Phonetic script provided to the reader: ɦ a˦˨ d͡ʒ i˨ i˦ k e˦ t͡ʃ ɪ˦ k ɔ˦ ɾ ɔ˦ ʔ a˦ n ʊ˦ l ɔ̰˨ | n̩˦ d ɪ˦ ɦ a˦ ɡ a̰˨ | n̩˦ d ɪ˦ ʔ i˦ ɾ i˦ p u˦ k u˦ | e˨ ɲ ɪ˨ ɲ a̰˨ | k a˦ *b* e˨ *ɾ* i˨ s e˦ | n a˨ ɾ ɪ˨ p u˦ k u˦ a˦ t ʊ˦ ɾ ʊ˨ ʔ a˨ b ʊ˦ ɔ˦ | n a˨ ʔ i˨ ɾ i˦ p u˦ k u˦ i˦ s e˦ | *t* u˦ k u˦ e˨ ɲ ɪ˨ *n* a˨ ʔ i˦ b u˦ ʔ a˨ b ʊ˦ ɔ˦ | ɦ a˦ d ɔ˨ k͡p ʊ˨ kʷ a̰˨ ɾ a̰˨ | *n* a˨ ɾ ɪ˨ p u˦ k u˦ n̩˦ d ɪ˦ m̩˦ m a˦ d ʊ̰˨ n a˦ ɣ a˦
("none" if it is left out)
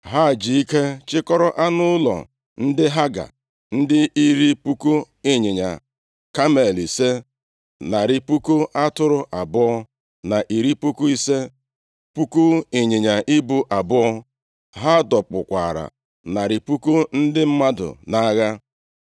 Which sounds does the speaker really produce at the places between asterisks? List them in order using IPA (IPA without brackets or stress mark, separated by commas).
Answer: m, l, p, ɲ, n